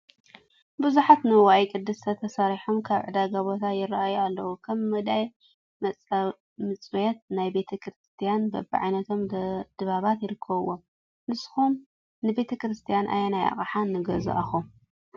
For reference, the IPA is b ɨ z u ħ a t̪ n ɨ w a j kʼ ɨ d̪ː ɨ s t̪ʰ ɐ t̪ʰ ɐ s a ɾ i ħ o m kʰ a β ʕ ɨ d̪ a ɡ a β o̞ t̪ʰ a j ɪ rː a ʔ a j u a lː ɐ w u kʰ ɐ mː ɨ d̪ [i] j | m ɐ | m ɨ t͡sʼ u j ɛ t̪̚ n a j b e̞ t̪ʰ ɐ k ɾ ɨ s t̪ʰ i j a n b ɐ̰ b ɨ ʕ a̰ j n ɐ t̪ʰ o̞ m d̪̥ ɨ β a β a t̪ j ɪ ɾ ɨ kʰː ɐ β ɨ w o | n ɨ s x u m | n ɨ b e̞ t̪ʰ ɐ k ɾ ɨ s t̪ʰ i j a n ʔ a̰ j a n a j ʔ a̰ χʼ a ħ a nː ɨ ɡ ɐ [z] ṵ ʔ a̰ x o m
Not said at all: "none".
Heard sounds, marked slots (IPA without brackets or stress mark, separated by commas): a, z